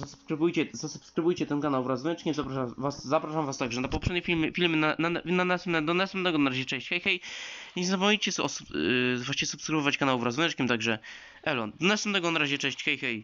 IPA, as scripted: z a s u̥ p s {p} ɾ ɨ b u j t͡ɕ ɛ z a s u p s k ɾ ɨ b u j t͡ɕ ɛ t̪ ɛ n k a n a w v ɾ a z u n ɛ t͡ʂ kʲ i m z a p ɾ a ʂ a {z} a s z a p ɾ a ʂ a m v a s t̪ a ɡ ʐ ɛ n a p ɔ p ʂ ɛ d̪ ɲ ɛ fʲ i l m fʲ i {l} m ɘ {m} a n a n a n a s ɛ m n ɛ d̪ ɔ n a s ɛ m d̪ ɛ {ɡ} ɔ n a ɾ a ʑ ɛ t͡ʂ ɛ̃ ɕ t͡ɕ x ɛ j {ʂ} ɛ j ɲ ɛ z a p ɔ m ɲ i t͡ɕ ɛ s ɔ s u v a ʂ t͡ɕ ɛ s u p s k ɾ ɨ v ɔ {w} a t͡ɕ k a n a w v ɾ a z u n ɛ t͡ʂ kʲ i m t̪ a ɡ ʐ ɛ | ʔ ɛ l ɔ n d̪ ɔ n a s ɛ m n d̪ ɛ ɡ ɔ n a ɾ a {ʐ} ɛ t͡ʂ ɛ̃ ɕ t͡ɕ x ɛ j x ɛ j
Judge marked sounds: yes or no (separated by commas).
no, no, yes, no, yes, no, no, no